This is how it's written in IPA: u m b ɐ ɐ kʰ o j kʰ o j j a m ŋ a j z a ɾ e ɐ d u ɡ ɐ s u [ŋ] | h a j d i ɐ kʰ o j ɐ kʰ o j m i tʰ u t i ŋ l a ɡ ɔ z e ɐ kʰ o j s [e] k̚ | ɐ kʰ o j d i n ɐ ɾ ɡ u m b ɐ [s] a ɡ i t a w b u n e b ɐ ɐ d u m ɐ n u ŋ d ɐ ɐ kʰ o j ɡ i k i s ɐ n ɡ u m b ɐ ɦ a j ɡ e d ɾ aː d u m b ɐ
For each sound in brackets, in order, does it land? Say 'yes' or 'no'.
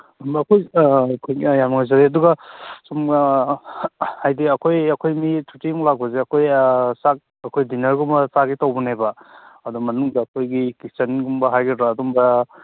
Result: no, no, yes

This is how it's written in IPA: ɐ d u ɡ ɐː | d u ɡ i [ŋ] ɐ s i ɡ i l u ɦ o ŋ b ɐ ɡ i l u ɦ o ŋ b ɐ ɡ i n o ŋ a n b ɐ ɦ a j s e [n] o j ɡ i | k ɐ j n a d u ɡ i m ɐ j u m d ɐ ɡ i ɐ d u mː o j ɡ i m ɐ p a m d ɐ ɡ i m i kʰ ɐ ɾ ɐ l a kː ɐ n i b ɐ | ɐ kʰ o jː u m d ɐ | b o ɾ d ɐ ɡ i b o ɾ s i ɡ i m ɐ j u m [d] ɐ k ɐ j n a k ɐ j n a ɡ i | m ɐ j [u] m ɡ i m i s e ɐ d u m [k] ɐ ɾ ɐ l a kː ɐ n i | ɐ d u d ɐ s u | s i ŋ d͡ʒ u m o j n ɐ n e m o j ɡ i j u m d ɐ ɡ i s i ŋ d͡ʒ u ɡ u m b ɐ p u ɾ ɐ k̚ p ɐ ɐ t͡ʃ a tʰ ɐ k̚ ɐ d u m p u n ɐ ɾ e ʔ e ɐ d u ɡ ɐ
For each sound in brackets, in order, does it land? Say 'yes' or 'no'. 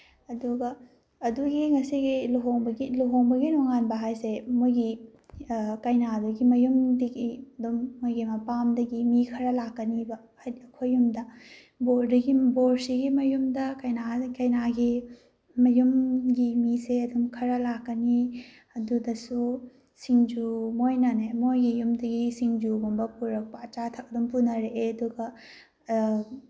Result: yes, no, yes, yes, no

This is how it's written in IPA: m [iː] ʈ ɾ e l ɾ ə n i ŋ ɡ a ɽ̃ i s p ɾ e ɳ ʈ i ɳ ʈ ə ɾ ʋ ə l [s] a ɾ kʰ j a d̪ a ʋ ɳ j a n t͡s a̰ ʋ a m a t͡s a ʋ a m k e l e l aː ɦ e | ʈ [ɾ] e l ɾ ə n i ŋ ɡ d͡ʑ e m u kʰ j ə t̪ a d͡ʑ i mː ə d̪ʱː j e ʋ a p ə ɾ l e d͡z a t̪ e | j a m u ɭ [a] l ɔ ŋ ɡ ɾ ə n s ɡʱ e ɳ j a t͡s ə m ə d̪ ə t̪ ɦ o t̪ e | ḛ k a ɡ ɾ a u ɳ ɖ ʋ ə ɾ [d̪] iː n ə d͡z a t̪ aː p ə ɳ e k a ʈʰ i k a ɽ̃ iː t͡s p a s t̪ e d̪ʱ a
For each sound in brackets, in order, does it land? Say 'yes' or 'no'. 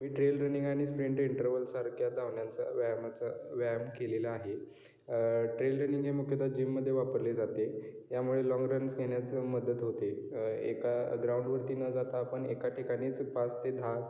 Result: yes, yes, yes, no, no

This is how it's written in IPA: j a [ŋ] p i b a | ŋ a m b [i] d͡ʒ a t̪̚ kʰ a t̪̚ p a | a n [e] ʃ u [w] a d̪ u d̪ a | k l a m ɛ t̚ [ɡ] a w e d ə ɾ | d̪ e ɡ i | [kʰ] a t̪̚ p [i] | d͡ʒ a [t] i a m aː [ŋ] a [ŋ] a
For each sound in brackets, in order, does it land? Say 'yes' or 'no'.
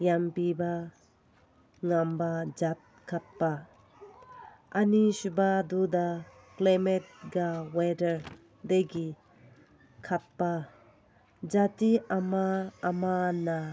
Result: no, no, no, no, yes, yes, no, yes, no, no

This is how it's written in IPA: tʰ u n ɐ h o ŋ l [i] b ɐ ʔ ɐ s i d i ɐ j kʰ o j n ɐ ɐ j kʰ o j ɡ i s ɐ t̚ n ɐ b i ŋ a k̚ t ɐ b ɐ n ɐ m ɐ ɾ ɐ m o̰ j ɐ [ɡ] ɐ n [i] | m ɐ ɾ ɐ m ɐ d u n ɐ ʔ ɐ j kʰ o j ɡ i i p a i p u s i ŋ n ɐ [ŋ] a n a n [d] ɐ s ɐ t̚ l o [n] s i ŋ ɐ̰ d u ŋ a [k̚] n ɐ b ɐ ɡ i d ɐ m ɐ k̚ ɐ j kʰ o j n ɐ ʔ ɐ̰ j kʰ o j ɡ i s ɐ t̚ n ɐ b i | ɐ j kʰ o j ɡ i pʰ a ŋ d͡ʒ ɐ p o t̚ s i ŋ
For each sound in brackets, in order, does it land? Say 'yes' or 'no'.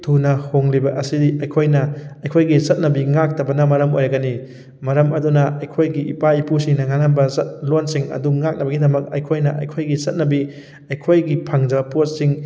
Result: yes, yes, yes, yes, no, yes, yes

